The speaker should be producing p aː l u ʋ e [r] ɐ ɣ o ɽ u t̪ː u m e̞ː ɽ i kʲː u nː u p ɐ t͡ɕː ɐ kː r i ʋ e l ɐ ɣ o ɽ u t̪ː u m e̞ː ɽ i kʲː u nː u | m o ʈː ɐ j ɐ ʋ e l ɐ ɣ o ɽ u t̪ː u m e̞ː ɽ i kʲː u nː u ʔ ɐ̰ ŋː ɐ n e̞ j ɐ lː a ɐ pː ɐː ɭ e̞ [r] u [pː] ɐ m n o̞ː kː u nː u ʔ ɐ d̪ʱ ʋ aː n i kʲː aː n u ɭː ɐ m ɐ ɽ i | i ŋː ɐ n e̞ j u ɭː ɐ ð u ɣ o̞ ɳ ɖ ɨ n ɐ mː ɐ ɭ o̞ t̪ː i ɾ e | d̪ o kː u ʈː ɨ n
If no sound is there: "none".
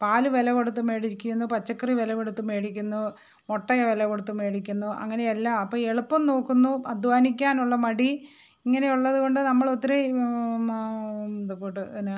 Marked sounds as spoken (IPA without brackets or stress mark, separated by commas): l, ɭ, pː